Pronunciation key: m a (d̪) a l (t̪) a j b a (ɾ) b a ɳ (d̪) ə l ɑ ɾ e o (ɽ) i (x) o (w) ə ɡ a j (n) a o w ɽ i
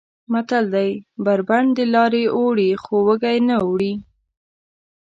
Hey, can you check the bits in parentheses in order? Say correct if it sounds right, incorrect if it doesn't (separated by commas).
incorrect, incorrect, correct, correct, correct, correct, correct, correct